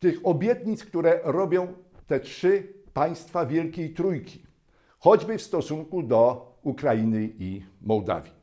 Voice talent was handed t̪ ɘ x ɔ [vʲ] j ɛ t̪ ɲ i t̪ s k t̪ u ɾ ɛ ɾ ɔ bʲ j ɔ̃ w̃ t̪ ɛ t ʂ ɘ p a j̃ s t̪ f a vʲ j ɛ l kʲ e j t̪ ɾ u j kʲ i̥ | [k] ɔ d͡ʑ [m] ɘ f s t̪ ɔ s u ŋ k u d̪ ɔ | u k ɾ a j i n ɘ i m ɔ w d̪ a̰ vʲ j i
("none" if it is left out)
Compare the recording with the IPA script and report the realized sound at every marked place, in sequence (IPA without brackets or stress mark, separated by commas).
bʲ, x, b